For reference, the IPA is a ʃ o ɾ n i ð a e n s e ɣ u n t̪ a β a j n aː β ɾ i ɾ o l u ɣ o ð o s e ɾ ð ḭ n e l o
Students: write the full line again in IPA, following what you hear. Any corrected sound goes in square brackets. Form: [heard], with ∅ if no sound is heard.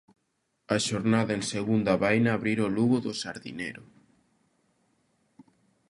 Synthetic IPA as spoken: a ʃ o ɾ n [a] ð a e n s e ɣ u n [d̪] a β a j n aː β ɾ i ɾ o l u ɣ o ð o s [a] ɾ ð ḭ n e [ɾ] o